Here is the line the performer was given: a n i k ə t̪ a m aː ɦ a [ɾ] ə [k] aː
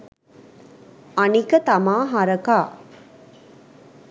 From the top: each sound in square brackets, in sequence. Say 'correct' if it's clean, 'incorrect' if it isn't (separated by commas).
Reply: correct, correct